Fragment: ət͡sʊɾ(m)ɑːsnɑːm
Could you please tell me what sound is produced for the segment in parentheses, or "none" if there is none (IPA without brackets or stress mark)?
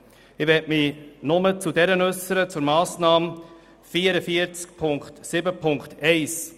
m